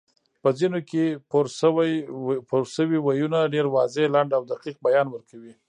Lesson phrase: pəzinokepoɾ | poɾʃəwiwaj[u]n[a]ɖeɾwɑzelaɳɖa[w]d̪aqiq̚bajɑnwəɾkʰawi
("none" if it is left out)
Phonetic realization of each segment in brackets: u, a, w

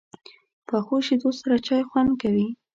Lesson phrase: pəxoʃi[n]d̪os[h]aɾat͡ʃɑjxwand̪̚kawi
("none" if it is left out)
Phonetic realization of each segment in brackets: none, s

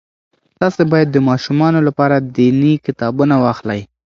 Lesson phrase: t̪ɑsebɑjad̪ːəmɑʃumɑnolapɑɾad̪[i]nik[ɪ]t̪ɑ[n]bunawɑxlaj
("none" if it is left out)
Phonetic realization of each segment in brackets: i, ɪ, none

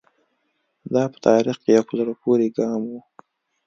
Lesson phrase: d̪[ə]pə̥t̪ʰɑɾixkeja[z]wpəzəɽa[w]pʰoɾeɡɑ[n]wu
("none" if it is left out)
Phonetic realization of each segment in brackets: ɑ, none, none, m

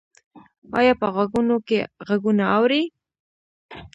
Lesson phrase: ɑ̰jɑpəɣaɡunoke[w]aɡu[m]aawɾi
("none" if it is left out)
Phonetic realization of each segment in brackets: ɣ, n

